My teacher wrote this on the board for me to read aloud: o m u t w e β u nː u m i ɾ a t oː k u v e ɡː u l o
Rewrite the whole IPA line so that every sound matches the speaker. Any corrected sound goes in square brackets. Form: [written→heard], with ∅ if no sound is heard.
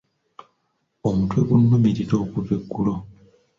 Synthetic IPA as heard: o m u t w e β u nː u m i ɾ [a→i] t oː k u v e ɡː u l o